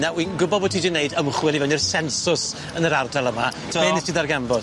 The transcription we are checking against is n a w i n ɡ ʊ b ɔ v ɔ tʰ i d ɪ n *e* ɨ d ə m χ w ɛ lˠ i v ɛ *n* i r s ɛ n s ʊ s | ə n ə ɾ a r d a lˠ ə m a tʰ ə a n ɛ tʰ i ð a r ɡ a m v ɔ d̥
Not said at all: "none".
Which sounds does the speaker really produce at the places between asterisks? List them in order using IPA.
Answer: e, n

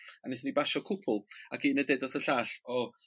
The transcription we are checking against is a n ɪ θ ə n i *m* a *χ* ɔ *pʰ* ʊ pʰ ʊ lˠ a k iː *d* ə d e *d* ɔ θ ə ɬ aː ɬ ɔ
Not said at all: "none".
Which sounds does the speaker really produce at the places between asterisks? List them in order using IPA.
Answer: b, ʃ, kʰ, n, d

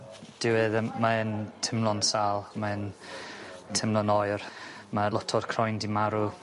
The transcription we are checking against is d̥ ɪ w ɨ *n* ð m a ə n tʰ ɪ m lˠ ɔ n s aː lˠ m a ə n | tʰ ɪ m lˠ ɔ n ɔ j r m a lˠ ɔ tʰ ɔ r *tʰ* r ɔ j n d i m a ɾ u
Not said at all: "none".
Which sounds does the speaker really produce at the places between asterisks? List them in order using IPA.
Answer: none, kʰ

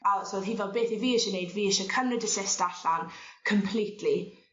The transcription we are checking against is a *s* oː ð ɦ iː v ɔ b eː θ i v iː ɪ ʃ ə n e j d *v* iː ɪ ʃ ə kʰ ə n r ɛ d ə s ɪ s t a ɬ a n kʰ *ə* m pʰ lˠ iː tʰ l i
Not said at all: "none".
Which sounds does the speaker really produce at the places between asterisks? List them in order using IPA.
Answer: s, v, ə

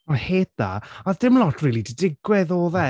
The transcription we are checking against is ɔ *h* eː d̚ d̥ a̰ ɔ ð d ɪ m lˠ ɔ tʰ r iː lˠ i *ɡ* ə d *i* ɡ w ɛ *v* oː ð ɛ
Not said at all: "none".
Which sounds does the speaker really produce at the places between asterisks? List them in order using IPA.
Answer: h, d, ɪ, ð

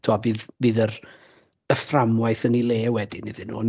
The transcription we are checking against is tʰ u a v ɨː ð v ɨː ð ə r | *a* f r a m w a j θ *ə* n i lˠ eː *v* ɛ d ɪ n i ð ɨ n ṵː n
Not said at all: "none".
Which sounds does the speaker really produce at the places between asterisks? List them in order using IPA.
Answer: ə, ə, w

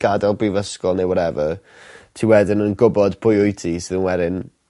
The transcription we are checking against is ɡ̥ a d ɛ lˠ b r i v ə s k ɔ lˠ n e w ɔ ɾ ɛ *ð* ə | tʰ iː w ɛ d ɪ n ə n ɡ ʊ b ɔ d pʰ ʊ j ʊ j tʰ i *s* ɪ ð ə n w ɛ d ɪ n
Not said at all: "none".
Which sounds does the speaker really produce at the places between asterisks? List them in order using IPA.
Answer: v, s

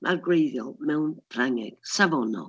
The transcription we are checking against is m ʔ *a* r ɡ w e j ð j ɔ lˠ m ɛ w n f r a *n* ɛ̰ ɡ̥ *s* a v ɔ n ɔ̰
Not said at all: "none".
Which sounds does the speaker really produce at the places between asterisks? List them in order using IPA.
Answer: a, ŋ, s

